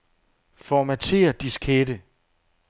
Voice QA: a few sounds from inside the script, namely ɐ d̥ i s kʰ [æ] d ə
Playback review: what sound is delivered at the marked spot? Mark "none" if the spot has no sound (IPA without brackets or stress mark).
e